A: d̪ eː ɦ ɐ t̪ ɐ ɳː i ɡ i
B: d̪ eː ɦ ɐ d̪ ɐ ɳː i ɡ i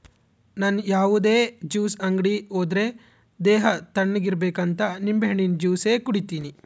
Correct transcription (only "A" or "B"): A